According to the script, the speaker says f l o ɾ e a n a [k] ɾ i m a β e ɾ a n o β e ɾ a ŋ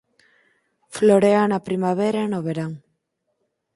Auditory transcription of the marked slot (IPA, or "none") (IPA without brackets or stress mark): p